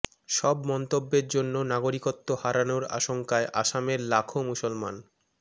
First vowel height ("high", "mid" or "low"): mid